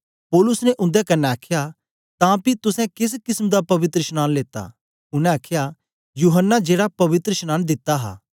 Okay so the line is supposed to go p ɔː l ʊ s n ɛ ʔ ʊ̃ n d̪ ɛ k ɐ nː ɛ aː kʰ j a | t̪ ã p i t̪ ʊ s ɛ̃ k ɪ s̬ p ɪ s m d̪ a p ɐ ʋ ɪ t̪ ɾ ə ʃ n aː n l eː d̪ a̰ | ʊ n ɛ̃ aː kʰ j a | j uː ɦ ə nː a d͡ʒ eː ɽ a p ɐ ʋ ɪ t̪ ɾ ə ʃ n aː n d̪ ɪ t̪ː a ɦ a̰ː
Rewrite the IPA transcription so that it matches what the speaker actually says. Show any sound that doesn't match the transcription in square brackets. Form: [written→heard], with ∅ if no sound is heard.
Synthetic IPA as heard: p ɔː l ʊ s n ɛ ʔ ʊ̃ n d̪ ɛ k ɐ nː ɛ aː kʰ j a | t̪ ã p i t̪ ʊ s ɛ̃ k ɪ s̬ [p→k] ɪ s m d̪ a p ɐ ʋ ɪ t̪ ɾ ə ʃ n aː n l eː [d̪→t̪] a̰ | ʊ n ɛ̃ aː kʰ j a | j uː ɦ ə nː a d͡ʒ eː ɽ a p ɐ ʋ ɪ t̪ ɾ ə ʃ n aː n d̪ ɪ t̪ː a ɦ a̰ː